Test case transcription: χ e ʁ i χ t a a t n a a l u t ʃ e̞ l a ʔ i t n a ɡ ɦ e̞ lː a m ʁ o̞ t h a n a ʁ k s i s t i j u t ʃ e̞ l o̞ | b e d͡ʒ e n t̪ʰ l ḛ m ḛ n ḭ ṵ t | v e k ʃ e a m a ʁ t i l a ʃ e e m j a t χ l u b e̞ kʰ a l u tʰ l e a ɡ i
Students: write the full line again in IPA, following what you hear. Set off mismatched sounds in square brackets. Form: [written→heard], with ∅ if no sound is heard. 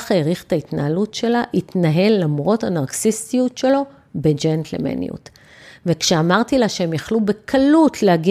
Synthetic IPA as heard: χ e ʁ i χ t a [a→i] t n a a l u t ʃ e̞ l a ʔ i t n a [ɡ→∅] ɦ e̞ lː a m ʁ o̞ t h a n a ʁ k s i s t i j u t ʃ e̞ l o̞ | b e d͡ʒ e n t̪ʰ l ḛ m ḛ n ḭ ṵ t | v e k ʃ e a m a ʁ t i l a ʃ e e m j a [t→∅] χ l u b e̞ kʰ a l u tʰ l e a ɡ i